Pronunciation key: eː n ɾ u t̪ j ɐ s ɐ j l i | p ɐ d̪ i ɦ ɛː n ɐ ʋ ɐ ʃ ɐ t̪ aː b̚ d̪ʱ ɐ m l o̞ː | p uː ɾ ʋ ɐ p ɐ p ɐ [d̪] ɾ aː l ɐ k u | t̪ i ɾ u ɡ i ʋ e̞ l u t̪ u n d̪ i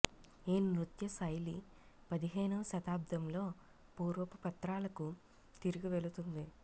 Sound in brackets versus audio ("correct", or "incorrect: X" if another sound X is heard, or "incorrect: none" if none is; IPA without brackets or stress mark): incorrect: t̪